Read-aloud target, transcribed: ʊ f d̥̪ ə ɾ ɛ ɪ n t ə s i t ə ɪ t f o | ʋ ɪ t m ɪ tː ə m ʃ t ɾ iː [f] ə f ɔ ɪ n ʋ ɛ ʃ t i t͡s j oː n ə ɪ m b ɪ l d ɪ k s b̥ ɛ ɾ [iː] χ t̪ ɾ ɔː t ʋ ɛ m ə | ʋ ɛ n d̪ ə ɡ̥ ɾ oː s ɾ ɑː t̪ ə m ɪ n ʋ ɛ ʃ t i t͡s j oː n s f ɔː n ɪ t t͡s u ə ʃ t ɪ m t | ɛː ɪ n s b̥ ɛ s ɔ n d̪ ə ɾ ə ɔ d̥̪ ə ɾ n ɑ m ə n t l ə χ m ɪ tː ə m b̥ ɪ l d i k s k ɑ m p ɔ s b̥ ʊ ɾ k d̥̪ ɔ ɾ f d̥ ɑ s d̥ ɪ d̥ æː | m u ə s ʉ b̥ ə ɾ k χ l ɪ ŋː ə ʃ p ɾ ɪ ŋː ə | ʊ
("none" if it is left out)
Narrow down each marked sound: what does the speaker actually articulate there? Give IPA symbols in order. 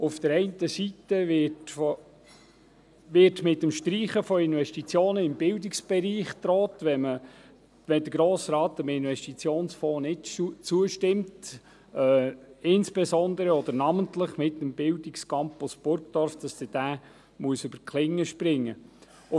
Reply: χ, iː

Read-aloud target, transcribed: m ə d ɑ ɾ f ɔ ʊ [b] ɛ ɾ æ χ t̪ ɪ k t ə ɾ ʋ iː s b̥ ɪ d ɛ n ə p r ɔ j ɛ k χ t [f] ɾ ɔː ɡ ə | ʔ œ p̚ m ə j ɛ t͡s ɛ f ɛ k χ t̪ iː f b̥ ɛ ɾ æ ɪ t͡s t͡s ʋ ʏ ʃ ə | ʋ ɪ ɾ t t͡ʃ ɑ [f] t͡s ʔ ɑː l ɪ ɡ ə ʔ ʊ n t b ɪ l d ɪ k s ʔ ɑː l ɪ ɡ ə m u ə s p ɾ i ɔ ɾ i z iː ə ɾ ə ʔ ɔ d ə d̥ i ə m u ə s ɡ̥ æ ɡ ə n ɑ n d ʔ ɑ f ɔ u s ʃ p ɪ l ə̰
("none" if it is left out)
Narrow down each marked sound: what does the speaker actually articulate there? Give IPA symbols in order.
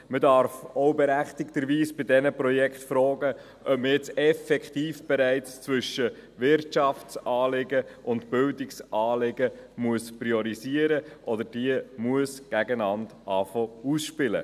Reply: b, f, f

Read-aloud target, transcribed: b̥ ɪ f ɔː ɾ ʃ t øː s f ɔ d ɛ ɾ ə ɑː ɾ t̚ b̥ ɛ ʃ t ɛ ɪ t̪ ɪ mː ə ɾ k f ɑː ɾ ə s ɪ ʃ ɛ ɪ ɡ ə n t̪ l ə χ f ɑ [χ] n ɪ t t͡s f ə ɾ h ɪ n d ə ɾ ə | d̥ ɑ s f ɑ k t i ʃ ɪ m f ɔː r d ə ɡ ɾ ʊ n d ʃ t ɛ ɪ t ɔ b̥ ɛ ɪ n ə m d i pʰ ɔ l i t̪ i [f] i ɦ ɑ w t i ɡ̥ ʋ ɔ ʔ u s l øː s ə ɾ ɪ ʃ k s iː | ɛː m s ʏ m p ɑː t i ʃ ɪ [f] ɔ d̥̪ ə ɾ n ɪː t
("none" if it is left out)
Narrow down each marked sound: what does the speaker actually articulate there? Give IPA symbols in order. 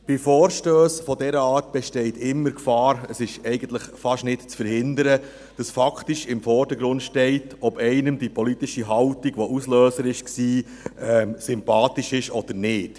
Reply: ʃ, ʃ, ʃ

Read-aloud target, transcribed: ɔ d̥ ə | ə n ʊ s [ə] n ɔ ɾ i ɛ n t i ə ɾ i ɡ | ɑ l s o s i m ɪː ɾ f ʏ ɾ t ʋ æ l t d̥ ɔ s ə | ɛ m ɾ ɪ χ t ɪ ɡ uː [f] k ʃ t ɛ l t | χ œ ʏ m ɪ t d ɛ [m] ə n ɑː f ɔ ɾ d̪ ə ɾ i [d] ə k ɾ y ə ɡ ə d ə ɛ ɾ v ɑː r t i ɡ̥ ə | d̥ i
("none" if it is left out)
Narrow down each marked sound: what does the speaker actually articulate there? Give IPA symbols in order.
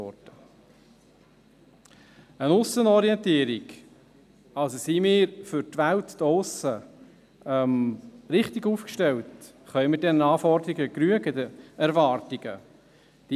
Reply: ə, f, n, ɡ

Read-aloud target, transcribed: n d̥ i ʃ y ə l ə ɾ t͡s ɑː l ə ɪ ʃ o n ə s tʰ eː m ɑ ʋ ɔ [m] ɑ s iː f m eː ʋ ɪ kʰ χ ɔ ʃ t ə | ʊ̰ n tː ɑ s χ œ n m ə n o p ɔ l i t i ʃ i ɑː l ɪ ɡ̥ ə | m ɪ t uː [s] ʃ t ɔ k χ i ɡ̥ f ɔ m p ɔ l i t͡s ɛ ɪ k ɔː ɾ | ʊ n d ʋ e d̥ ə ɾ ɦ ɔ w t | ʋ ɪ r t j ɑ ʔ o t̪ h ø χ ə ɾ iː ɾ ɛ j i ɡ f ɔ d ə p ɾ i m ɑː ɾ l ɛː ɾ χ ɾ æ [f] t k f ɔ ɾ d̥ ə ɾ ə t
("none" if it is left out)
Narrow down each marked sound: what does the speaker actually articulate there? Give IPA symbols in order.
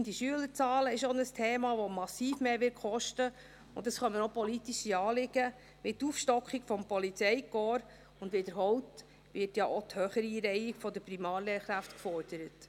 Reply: m, f, f

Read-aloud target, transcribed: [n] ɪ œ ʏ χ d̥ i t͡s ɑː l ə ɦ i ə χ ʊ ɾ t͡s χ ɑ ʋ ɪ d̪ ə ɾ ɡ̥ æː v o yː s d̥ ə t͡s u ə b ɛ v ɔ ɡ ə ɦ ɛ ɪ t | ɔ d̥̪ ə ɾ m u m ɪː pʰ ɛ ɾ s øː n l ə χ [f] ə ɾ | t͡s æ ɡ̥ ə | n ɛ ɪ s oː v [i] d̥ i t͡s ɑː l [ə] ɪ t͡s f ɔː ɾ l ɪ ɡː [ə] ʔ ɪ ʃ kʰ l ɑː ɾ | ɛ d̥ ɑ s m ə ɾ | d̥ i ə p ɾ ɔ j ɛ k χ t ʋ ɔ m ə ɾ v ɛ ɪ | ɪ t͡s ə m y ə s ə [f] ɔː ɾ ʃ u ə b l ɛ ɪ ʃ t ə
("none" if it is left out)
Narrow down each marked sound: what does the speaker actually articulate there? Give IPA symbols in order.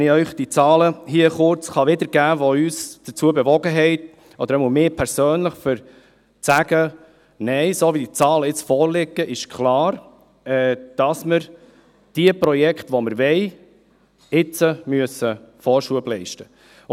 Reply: n, f, i, ə, ə, f

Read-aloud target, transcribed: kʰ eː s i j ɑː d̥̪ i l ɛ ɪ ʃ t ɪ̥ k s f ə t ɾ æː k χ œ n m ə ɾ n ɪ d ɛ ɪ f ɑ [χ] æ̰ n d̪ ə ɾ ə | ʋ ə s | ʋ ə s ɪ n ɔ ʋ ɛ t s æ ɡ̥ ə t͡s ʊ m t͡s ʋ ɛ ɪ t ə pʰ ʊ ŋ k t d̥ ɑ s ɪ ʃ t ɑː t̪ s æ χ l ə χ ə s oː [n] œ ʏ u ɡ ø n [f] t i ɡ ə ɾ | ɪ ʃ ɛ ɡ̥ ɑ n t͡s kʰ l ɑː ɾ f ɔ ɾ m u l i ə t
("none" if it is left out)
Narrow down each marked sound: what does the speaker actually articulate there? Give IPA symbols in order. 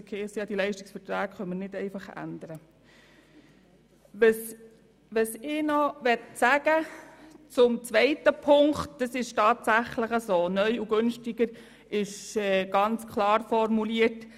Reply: χ, n, ʃ

